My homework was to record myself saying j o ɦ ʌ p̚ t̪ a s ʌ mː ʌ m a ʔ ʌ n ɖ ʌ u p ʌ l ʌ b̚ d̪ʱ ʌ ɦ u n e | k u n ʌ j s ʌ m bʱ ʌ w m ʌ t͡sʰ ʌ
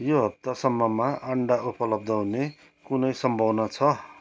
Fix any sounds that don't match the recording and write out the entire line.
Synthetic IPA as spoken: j o ɦ ʌ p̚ t̪ a s ʌ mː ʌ m a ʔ ʌ ɳ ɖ a u p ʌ l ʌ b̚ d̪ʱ ʌ ɦ u n e | k u n ʌ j s ʌ m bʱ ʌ w n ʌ t͡sʰ ʌ